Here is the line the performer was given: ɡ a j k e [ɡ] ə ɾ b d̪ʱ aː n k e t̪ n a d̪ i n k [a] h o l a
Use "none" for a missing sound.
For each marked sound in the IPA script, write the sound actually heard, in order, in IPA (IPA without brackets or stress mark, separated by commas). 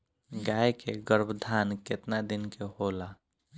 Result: ɡ, e